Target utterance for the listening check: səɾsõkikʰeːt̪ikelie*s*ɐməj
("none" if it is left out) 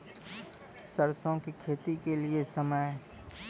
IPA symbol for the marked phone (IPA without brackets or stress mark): s